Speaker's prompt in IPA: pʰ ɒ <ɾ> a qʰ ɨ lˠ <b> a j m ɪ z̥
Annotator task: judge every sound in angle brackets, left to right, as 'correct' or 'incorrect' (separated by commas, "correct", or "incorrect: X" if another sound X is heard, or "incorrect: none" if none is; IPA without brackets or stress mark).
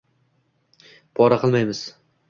correct, incorrect: m